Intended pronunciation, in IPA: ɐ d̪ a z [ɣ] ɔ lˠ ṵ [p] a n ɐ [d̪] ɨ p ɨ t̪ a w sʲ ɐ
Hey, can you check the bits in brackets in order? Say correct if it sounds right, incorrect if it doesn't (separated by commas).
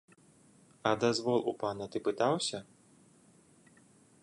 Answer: incorrect, correct, incorrect